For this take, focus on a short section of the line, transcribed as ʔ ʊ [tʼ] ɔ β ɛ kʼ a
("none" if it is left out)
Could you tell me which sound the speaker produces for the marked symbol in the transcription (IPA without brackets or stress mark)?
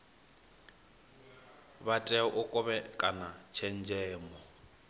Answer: kʼ